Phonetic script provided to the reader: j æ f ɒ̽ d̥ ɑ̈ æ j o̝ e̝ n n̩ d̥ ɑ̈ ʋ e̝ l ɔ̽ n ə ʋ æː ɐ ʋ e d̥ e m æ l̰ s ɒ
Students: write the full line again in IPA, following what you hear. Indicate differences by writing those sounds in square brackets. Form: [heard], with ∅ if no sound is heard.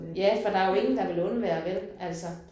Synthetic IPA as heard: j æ f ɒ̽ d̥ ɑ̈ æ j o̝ e̝ [ŋ] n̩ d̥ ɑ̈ ʋ e̝ l ɔ̽ n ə ʋ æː ɐ ʋ e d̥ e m æ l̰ s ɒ